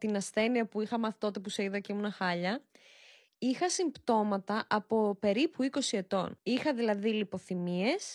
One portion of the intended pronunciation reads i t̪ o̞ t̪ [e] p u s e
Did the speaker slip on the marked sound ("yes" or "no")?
no